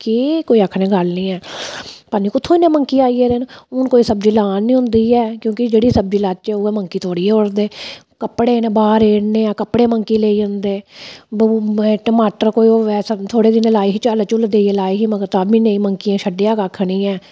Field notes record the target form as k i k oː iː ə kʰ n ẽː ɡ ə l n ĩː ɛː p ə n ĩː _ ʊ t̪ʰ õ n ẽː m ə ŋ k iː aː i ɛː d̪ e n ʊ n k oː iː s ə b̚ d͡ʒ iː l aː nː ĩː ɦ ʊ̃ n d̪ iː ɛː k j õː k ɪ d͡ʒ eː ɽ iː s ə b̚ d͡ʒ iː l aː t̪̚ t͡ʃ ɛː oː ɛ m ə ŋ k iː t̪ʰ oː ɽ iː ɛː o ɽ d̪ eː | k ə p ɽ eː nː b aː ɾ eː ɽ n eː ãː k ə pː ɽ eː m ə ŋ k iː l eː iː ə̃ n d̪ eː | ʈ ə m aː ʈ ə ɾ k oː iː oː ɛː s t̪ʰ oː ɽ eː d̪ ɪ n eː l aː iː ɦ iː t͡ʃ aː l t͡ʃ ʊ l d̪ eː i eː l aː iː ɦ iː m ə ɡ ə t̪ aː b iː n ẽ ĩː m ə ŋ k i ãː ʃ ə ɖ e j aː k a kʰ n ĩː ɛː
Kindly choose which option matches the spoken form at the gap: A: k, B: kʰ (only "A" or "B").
A